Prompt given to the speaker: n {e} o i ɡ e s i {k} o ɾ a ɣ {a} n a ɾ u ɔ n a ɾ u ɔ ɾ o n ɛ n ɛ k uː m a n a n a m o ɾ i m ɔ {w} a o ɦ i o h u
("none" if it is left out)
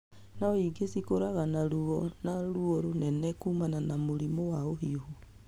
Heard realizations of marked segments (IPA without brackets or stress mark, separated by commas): a, k, a, w